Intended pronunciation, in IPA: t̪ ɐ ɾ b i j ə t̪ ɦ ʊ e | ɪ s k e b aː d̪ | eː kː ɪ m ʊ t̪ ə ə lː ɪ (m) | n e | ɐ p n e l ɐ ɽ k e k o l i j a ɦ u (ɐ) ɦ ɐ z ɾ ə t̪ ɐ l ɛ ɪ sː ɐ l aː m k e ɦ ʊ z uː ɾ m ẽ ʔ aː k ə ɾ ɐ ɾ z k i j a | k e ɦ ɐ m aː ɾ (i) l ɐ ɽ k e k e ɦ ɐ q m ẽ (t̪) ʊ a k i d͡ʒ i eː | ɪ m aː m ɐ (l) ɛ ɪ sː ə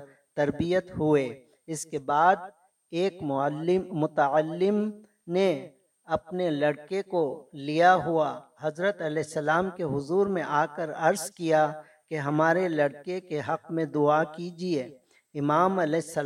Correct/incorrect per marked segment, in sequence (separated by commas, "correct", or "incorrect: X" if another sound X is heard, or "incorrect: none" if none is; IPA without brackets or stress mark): correct, incorrect: a, incorrect: e, incorrect: d̪, correct